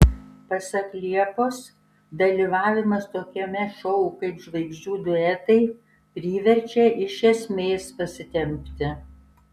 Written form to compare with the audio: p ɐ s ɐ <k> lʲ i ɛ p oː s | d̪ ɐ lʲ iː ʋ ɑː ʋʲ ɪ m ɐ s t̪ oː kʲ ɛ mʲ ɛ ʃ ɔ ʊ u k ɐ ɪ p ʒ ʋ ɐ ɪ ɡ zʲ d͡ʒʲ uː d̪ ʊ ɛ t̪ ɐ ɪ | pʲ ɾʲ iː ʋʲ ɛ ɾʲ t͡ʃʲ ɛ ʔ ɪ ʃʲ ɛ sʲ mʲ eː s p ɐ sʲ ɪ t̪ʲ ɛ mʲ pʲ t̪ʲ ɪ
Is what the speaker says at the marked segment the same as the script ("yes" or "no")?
yes